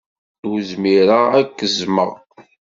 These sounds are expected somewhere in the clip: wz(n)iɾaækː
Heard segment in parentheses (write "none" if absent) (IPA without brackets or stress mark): m